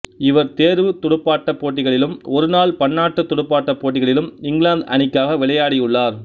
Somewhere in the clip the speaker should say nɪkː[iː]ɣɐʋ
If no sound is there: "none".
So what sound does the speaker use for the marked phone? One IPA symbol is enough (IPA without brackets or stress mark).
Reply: aː